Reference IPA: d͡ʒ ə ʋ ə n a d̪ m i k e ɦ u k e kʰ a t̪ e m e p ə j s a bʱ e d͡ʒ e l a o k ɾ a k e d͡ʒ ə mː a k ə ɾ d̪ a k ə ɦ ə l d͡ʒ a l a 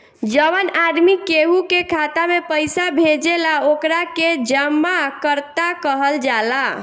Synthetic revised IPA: d͡ʒ ə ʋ ə n a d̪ m i k e ɦ u k e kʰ a t̪ a m e p ə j s a bʱ e d͡ʒ e l a o k ɾ a k e d͡ʒ ə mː a k ə ɾ t̪ a k ə ɦ ə l d͡ʒ a l a